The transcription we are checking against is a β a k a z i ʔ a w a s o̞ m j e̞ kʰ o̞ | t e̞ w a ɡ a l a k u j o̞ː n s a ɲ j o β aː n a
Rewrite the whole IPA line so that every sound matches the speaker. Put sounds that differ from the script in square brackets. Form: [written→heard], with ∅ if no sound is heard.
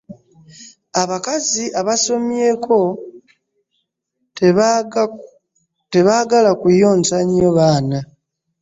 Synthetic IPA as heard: a β a k a z i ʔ a [w→β] a s o̞ m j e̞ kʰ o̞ | t e̞ [w→β] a ɡ a l a k u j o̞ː n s a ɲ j o β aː n a